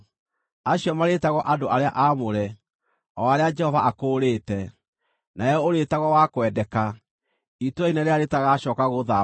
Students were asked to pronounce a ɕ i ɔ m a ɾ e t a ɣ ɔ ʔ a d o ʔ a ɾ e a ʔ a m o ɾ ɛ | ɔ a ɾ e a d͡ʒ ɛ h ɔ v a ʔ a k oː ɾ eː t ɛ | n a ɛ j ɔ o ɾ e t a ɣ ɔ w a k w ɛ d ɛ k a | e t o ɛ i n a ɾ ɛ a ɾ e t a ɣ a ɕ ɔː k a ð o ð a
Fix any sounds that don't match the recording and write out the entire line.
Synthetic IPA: a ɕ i ɔ m a ɾ e t a ɣ ɔ ʔ a d o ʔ a ɾ e a ʔ a m o ɾ ɛ | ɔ a ɾ e a d͡ʒ ɛ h ɔ v a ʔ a k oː ɾ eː t ɛ | n a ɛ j ɔ o ɾ e t a ɣ ɔ w a k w ɛ d ɛ k a | i t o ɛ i n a ɾ e a ɾ e t a ɣ a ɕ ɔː k a ɣ o ð a

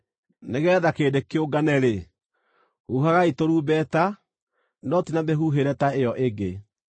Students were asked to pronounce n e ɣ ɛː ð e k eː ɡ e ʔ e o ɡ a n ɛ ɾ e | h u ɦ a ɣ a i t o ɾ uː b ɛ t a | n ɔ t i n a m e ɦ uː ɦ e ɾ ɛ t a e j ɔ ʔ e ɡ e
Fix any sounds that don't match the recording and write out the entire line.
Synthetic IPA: n e ɣ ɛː ð a k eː d e k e o ɡ a n ɛ ɾ e | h u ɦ a ɣ a i t o ɾ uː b ɛ t a | n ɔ t i n a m e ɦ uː ɦ e ɾ ɛ t a e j ɔ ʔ e ɡ e

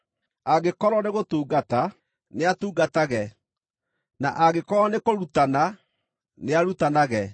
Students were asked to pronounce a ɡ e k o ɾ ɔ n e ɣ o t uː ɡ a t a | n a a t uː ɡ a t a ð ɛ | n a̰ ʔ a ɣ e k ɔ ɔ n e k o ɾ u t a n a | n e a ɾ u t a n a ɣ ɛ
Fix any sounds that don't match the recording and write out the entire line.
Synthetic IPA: a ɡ e k ɔ ɾ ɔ n e ɣ o t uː ɡ a t a | n e a t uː ɡ a t a ɣ ɛ | n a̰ ʔ a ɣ e k ɔ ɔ n e k o ɾ u t a n a | n e a ɾ u t a n a ɣ ɛ

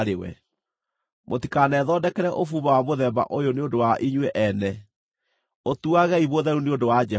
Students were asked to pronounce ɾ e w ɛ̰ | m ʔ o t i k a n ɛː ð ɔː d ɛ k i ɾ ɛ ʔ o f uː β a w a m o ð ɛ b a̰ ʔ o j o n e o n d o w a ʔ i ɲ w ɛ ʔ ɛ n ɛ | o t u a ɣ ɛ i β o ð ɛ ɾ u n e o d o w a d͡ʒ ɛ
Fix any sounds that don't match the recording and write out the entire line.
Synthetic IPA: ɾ e w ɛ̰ | m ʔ o t i k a n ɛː ð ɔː d ɛ k ɛ ɾ ɛ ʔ o f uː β a w a m o ð ɛ b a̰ ʔ o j o n e o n d o w a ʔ i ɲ w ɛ ʔ ɛ n ɛ | o t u a ɣ ɛ i β o ð ɛ ɾ u n e o d o w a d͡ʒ ɛ

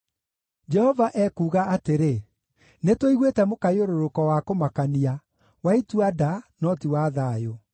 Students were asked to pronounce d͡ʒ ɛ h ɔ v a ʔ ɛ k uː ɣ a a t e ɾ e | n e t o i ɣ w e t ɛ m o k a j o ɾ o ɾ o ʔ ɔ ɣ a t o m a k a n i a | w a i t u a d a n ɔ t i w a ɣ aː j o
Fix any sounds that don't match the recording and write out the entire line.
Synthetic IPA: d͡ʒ ɛ h ɔ v a ʔ ɛ k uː ɣ a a t e ɾ e | n e t o i ɣ w e t ɛ m o k a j o ɾ o ɾ o k ɔ w a k o m a k a n i a | w a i t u a d a n ɔ t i w a ð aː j o

